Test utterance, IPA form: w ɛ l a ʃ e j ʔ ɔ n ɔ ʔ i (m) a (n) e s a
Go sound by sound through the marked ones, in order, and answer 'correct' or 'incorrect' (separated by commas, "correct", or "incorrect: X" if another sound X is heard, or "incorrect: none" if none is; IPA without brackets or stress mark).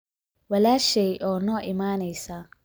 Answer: correct, correct